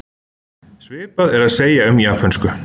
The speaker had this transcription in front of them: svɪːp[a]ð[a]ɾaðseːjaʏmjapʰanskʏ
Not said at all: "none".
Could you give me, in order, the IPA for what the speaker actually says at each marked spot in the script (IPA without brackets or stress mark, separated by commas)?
a, ɛ